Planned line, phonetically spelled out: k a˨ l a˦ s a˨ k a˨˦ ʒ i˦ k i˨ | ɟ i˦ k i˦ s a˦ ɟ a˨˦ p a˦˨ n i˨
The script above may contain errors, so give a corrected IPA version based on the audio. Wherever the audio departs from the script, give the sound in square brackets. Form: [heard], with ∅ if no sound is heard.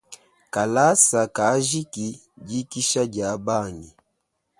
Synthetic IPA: k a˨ l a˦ s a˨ k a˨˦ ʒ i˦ k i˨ | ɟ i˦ k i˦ [ʃ] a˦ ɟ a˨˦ [b] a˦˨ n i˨